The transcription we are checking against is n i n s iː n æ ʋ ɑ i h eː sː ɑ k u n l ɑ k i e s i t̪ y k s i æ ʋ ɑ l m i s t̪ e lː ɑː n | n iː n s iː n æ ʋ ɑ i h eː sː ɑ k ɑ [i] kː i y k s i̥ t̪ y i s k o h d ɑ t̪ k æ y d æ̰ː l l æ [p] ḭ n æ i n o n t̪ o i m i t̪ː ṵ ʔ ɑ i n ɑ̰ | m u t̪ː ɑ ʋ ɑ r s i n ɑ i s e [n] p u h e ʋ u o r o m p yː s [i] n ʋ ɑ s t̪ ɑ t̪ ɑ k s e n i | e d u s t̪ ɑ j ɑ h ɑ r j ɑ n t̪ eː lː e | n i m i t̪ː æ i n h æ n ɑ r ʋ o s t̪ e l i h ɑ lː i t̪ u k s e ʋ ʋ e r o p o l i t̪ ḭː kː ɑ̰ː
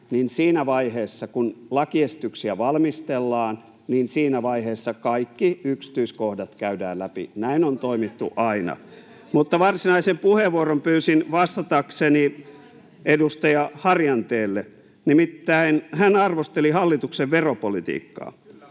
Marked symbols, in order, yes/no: yes, yes, no, yes

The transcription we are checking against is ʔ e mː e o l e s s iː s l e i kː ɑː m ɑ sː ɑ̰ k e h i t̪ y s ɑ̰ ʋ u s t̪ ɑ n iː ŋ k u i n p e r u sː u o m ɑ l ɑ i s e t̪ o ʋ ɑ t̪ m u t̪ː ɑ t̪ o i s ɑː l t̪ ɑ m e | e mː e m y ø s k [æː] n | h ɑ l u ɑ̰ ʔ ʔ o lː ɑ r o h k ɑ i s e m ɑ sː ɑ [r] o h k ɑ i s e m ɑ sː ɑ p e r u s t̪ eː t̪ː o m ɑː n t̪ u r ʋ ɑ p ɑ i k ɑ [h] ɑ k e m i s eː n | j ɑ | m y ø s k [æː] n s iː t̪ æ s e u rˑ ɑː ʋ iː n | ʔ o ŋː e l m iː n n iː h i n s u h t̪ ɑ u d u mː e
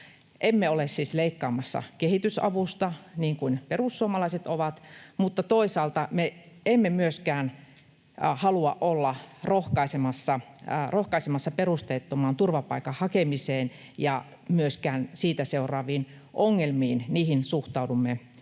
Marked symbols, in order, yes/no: yes, yes, yes, yes

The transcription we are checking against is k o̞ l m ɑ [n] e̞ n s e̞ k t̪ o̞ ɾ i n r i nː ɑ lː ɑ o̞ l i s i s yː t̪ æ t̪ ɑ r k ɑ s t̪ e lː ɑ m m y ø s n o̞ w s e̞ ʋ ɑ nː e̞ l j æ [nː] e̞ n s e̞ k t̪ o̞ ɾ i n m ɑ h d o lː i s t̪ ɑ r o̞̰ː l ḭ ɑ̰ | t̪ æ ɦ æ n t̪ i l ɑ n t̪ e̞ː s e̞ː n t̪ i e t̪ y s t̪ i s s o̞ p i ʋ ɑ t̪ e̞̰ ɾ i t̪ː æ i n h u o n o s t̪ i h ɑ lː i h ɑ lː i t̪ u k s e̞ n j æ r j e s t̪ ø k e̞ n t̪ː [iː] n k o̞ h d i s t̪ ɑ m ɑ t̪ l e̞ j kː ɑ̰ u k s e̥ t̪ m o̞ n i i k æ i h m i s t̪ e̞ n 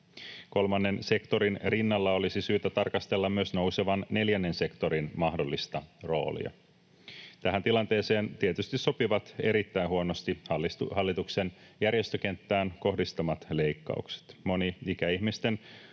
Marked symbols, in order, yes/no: no, yes, no

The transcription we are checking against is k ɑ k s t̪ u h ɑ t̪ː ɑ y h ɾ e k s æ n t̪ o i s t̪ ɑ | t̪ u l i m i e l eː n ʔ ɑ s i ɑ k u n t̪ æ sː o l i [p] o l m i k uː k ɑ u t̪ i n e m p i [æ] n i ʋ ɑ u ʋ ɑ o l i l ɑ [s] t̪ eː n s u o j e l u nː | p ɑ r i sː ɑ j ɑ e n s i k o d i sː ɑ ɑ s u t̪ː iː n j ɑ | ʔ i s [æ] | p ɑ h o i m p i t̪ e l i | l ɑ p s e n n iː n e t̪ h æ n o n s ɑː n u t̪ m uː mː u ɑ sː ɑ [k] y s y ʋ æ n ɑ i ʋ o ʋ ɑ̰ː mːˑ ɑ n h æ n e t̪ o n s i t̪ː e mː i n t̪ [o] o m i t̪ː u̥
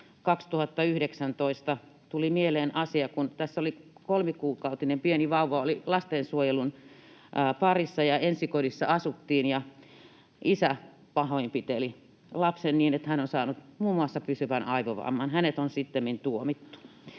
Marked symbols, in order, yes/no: no, no, yes, yes, no, no

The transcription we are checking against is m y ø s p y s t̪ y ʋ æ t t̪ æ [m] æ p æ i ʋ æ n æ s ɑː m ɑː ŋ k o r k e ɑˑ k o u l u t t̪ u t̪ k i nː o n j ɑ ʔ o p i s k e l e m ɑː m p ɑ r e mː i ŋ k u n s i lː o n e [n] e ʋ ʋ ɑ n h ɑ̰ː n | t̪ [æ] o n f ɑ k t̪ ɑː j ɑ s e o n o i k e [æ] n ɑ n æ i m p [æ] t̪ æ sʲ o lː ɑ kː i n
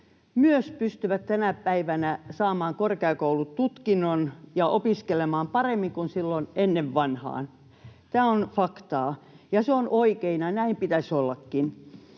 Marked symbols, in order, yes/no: no, no, no, no, no

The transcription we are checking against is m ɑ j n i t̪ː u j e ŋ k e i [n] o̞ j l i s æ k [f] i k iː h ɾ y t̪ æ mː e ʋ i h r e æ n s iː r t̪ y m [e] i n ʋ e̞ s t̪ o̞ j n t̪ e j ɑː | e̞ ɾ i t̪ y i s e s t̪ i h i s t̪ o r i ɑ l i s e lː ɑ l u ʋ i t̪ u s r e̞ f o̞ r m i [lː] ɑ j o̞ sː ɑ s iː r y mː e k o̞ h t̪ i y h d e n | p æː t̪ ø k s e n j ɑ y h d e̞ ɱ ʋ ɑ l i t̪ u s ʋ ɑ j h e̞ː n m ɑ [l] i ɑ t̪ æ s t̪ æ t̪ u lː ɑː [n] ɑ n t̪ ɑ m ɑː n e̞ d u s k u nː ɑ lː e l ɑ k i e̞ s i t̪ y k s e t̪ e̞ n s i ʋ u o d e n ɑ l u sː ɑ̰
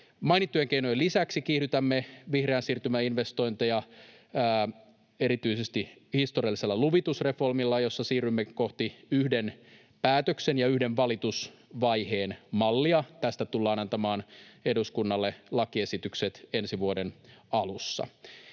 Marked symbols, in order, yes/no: yes, no, no, yes, no, yes

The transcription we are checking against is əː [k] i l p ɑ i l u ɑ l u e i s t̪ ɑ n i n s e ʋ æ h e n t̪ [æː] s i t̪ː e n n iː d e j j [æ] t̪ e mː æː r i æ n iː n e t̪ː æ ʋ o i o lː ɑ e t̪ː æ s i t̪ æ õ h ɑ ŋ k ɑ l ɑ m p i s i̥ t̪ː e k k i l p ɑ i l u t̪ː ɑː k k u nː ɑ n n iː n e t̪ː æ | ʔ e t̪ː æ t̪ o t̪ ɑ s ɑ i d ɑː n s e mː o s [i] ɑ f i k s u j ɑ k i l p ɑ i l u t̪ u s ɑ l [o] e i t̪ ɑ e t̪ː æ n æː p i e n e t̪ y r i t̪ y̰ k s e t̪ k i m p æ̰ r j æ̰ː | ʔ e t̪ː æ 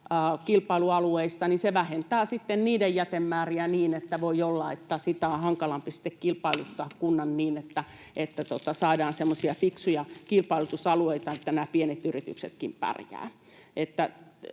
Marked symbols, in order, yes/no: yes, yes, yes, yes, no

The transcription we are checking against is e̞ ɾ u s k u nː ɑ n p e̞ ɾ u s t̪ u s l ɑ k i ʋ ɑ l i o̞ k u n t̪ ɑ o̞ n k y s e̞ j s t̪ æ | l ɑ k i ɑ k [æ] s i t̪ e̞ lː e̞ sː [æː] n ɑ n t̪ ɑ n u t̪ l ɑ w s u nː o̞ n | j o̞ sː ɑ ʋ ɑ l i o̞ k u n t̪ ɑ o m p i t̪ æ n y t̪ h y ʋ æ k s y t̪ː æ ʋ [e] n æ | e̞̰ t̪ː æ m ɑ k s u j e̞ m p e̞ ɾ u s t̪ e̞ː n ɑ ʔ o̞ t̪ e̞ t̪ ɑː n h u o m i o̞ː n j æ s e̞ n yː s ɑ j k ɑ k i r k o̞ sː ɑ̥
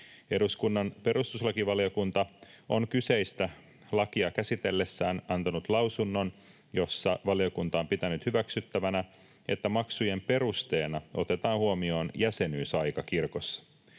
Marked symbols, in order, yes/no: yes, yes, no

